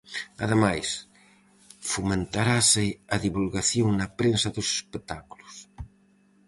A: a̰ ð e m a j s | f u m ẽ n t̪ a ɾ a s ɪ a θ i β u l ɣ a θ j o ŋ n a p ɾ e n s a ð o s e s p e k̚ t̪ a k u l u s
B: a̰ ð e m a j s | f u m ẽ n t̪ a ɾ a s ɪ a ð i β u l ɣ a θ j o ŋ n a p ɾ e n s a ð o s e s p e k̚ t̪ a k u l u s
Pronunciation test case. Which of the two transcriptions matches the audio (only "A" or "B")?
B